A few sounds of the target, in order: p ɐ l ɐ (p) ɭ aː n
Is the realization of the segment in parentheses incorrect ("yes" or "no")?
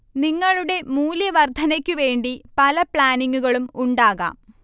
no